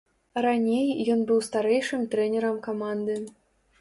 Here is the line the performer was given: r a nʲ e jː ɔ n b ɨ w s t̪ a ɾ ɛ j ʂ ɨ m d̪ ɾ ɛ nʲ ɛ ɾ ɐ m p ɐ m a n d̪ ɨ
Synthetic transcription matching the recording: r a nʲ e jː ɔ n b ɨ w s t̪ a ɾ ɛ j ʂ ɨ m t̪ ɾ ɛ nʲ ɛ ɾ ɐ m k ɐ m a n d̪ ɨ